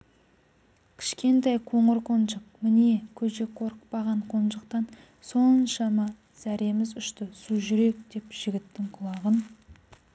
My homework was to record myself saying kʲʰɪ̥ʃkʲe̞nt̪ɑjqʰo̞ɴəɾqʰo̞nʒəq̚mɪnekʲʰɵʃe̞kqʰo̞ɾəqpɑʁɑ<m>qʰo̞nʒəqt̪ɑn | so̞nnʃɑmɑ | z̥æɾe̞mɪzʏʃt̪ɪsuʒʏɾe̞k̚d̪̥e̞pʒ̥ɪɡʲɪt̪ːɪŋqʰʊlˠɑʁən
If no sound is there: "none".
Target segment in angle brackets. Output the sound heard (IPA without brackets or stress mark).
ɴ